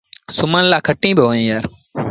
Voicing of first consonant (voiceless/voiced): voiceless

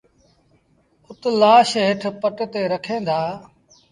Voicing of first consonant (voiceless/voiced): voiceless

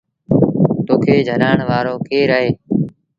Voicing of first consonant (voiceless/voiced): voiceless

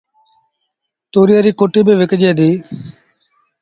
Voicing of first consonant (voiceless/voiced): voiceless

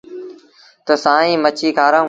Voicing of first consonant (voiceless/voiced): voiceless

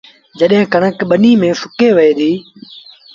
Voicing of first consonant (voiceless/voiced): voiced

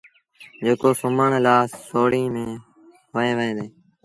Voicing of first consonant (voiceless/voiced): voiced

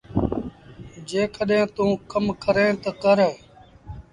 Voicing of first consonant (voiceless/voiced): voiced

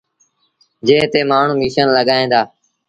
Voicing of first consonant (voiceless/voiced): voiced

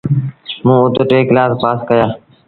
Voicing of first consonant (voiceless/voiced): voiced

